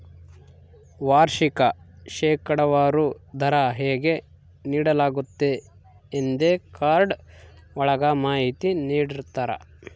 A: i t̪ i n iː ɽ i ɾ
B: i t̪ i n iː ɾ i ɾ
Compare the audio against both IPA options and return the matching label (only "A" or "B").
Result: A